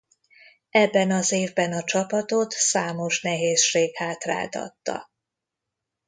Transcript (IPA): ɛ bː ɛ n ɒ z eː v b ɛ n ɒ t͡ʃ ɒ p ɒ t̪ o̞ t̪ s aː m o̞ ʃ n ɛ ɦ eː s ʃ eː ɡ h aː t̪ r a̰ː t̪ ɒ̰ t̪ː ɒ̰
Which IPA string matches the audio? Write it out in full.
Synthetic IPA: ɛ bː ɛ n ɒ z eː v b ɛ n ɒ t͡ʃ ɒ p ɒ t̪ o̞ t̪ s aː m o̞ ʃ n ɛ ɦ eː s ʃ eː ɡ h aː t̪ r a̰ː t̪ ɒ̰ t̪ː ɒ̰